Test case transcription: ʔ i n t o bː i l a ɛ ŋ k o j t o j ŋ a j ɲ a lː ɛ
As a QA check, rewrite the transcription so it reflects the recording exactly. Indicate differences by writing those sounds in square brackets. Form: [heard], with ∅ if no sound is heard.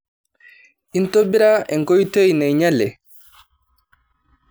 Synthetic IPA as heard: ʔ i n t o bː i [ɾ] a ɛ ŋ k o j t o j [n] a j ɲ a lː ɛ

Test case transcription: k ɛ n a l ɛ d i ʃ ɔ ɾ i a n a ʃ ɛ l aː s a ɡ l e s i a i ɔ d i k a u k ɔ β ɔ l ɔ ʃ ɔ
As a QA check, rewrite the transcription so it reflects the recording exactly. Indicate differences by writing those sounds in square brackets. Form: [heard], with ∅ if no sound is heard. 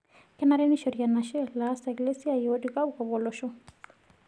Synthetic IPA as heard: k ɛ n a [ɾ] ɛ [n] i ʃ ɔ ɾ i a n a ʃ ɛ l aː s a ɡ l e s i a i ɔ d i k a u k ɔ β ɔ l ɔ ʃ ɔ

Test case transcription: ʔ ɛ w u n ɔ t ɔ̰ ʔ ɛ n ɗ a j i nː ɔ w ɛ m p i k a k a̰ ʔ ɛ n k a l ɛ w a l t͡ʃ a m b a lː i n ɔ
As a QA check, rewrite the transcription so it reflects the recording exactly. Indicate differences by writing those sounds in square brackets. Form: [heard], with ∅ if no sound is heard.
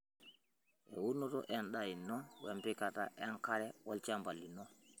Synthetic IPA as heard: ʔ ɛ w u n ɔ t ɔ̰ ʔ ɛ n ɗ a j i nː ɔ w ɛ m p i k a [t] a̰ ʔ ɛ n k a [ɾ] ɛ w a l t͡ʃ a m b a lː i n ɔ

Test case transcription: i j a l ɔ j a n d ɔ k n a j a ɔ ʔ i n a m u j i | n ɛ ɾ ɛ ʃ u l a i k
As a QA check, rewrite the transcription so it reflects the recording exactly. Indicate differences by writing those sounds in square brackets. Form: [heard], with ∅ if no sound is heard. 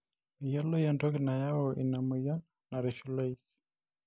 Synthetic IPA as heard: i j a l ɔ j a n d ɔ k n a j a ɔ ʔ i n a m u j [a] | n [a] ɾ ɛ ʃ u l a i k

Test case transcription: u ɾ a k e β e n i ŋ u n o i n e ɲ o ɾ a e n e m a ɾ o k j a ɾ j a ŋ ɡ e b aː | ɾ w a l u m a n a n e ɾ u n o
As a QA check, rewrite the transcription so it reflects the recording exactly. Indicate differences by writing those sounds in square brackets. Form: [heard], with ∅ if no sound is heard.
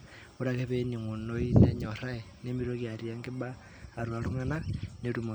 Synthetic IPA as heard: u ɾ a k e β e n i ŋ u n o i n e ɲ o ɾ a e n e m [i] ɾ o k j a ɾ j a ŋ ɡ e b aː | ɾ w a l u [ŋ] a n a n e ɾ u [m] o

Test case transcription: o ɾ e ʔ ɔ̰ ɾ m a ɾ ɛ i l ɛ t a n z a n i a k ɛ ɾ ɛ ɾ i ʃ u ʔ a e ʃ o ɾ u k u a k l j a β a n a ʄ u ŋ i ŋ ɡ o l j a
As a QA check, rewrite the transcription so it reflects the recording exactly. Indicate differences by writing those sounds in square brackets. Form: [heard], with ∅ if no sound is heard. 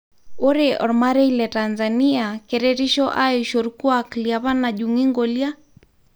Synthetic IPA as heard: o ɾ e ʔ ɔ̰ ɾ m a ɾ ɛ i l ɛ t a n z a n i a k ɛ ɾ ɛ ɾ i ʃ [ɔ] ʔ a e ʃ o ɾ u k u a k l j a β a n a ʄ u ŋ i ŋ ɡ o l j a

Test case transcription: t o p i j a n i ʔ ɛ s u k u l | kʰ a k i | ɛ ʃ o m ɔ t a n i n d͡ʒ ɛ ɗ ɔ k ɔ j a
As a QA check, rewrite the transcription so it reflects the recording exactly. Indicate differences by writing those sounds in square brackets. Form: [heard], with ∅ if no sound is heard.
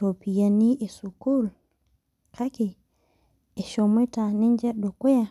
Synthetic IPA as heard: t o p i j a n i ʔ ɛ s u k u l | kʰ a k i | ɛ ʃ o m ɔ t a n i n d͡ʒ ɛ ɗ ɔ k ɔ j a

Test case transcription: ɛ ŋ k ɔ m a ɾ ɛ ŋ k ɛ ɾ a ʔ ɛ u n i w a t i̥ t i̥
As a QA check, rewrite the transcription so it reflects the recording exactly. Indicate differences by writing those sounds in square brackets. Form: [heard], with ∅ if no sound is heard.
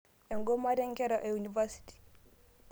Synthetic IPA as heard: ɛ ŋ [ɡ] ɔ m a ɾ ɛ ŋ k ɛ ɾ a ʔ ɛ u n i [v] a [s] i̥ t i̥

